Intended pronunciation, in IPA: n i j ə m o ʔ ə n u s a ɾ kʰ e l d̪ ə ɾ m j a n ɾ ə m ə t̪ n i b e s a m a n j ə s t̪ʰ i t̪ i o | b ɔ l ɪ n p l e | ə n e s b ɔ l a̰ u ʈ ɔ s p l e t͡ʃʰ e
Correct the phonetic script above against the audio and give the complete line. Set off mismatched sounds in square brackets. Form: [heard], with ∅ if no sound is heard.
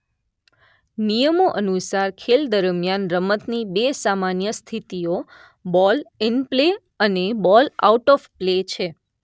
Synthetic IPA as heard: n i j ə m o ʔ ə n u s a ɾ kʰ e l d̪ ə ɾ m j a n ɾ ə m ə t̪ n i b e s a m a n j ə s t̪ʰ i t̪ i o | b ɔ l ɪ n p l e | ə n e [∅] b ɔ l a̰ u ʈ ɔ [f] p l e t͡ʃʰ e